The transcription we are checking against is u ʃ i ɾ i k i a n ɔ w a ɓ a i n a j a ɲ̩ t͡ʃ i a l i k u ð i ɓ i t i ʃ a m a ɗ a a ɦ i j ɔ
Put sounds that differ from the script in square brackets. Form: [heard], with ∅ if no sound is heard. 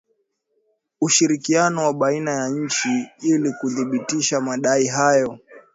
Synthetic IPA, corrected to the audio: u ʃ i ɾ i k i a n ɔ w a ɓ a i n a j a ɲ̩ t͡ʃ i [i] l i k u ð i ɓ i t i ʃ a m a ɗ a [i] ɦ [a] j ɔ